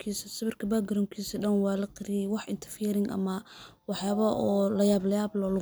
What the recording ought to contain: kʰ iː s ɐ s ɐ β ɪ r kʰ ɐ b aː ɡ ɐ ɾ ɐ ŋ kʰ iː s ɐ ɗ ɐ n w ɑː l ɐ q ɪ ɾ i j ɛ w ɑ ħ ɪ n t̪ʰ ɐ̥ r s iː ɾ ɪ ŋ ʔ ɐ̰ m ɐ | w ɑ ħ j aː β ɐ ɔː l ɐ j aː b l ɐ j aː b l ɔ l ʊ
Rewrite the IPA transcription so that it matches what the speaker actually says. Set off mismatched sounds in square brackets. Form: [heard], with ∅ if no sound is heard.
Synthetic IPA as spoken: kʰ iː s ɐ s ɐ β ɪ r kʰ ɐ b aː ɡ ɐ ɾ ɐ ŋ kʰ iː s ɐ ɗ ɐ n w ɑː l ɐ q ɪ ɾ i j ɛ w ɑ ħ ɪ n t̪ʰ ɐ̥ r [f] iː ɾ ɪ ŋ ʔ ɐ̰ m ɐ | w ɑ ħ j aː β ɐ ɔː l ɐ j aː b l ɐ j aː b l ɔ l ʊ